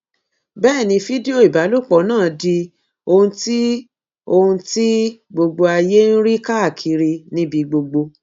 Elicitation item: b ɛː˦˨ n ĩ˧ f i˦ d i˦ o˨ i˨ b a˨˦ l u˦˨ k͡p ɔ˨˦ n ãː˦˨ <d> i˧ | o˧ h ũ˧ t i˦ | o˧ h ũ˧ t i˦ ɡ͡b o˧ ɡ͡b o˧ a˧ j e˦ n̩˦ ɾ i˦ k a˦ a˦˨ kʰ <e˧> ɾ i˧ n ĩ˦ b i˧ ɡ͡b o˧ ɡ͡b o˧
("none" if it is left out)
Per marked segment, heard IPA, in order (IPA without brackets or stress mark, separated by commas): d, i˧